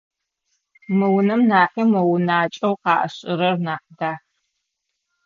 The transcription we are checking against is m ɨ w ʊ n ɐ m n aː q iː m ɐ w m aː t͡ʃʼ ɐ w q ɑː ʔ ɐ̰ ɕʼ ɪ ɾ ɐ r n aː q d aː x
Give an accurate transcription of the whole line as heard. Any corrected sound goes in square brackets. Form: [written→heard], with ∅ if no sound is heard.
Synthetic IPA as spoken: m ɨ w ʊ n ɐ m n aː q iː m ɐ w [m→n] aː t͡ʃʼ ɐ w q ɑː ʔ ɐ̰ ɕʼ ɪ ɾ ɐ r n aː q d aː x